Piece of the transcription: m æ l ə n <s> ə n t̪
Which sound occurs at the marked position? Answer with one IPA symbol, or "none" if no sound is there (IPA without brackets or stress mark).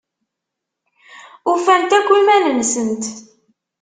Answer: s